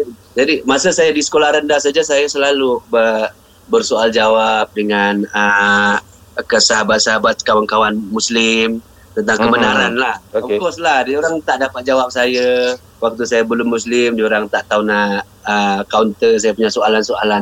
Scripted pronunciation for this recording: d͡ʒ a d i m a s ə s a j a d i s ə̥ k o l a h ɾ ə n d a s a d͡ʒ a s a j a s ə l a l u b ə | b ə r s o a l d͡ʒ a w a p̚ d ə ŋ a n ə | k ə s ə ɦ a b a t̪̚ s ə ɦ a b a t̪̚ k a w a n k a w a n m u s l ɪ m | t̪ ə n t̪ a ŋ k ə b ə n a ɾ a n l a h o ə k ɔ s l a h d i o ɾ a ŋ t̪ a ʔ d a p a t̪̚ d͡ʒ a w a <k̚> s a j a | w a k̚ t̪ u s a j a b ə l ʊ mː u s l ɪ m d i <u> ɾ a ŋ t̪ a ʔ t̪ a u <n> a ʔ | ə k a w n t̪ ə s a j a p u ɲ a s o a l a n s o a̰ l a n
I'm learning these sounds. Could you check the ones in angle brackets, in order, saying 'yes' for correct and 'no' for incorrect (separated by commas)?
no, no, yes